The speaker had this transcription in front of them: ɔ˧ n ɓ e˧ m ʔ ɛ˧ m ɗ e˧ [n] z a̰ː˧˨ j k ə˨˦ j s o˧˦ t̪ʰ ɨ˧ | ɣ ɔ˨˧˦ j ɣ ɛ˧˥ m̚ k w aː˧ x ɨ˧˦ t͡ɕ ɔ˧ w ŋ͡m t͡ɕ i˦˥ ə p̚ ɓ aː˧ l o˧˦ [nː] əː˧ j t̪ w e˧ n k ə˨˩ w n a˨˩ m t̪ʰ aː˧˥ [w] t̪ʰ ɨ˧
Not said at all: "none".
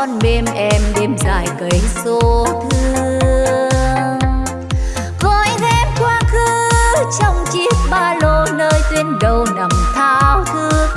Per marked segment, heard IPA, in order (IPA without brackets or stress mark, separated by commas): m, n, w